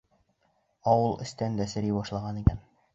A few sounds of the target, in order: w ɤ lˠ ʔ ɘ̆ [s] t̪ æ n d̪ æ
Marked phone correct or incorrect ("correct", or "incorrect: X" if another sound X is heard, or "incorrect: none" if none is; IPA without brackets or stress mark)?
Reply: correct